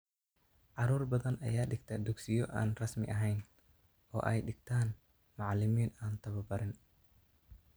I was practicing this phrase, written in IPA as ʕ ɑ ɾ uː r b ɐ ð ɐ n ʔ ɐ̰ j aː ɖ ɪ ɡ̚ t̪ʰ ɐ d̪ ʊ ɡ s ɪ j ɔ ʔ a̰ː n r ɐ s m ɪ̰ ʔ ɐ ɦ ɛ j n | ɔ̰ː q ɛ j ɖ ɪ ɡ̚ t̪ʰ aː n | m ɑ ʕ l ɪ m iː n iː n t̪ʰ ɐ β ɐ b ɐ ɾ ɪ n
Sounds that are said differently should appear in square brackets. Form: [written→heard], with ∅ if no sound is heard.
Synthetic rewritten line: ʕ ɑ ɾ uː r b ɐ ð ɐ n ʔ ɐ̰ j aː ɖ ɪ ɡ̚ t̪ʰ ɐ d̪ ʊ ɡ s ɪ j ɔ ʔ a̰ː n r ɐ s m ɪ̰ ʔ ɐ ɦ ɛ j n | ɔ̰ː [q→ʔ] ɛ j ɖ ɪ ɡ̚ t̪ʰ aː n | m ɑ ʕ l ɪ m iː n [iː→aː] n t̪ʰ ɐ β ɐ b ɐ ɾ ɪ n